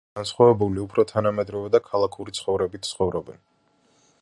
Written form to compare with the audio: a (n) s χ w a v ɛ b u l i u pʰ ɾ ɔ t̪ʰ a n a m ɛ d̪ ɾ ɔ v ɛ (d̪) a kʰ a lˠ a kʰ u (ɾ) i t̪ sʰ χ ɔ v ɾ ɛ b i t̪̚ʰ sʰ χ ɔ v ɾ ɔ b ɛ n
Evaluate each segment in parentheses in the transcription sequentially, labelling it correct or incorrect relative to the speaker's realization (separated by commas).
correct, correct, correct